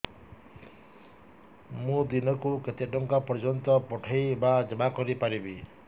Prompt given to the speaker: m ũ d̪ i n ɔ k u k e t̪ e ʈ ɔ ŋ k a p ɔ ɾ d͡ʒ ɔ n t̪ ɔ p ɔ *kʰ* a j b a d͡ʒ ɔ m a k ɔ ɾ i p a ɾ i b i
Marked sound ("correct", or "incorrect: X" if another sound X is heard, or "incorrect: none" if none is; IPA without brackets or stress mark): incorrect: ʈʰ